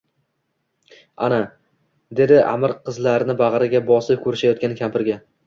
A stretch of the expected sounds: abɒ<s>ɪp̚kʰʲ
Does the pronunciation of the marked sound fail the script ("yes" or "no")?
no